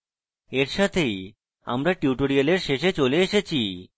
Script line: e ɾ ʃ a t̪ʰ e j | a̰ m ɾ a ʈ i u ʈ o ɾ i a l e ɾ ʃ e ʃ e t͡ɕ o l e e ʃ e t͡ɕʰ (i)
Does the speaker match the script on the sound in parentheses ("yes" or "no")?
yes